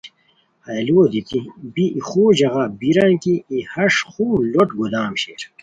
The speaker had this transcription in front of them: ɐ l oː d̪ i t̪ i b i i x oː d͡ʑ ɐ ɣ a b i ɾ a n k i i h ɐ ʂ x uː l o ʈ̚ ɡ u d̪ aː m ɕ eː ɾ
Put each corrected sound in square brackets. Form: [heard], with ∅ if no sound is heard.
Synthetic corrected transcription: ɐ l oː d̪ i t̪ i b i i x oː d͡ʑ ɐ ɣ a b i ɾ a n k i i h ɐ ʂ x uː l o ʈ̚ ɡ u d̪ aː m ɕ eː ɾ